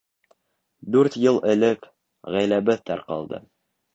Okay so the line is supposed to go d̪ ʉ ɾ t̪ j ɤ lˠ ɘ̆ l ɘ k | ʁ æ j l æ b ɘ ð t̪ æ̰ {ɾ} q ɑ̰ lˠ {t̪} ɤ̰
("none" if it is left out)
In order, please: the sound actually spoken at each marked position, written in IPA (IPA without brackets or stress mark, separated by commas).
ɾ, d̪